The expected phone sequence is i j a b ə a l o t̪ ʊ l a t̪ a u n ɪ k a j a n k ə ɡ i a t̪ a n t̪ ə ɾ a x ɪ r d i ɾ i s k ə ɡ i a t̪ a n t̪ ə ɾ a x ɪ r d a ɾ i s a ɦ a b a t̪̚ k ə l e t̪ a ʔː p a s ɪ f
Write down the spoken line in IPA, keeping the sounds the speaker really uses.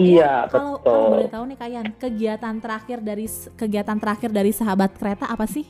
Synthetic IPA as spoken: i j a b ə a l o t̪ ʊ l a t̪ a u n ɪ k a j a n k ə ɡ i a t̪ a n t̪ ə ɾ a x ɪ r d a ɾ i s k ə ɡ i a t̪ a n t̪ ə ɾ a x ɪ r d a ɾ i s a ɦ a b a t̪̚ k ə ɾ e t̪ a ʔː p a s ɪ h